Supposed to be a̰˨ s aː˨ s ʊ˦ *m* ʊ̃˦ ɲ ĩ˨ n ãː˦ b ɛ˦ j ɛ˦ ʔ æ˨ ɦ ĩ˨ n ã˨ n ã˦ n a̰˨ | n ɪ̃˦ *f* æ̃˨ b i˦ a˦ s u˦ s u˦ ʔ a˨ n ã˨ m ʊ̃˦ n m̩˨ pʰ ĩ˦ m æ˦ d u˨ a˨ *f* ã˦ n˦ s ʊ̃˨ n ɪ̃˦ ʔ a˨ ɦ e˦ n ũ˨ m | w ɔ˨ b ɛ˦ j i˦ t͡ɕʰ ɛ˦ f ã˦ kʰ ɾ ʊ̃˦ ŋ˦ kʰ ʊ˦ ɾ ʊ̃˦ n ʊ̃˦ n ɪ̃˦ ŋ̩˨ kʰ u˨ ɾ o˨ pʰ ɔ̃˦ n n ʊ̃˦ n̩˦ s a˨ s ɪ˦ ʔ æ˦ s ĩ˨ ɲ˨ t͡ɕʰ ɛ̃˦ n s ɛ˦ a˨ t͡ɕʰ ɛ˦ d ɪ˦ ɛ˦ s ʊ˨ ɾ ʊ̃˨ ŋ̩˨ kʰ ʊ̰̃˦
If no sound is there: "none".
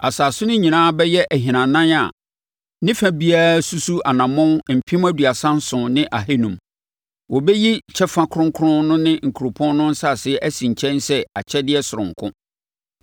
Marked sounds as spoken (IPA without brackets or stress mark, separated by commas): n, f, s